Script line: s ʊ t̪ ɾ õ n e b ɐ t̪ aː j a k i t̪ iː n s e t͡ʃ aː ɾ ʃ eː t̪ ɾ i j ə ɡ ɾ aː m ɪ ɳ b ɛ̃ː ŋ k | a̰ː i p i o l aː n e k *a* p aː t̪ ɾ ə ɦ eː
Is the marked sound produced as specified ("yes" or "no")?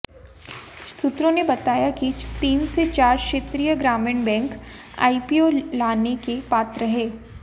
no